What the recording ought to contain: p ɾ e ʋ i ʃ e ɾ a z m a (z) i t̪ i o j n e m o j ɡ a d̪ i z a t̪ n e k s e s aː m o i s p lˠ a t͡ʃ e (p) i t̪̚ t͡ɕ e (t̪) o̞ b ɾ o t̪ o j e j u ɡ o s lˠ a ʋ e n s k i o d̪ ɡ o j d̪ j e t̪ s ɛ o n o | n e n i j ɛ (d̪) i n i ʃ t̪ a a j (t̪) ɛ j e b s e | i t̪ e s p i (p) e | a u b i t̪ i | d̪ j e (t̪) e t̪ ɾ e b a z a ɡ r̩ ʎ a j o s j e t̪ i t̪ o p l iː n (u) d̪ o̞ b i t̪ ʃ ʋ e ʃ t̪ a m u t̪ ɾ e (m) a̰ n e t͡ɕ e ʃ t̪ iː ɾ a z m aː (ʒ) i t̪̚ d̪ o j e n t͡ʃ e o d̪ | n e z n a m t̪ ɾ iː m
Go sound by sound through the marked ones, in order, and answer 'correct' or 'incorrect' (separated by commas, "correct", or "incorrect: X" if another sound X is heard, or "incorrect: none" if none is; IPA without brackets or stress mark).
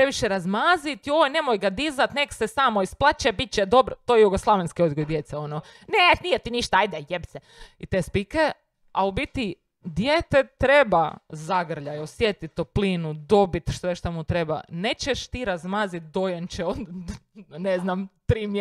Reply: correct, incorrect: b, incorrect: d̪, incorrect: t̪, incorrect: d̪, incorrect: k, correct, correct, incorrect: b, incorrect: z